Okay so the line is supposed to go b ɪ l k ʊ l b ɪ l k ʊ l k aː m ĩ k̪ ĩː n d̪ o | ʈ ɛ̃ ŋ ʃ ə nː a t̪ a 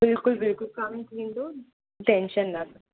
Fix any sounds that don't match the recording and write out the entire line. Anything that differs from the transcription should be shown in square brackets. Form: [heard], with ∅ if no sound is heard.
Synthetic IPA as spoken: b ɪ l k ʊ l b ɪ l k ʊ l k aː m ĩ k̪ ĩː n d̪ o | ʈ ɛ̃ [n] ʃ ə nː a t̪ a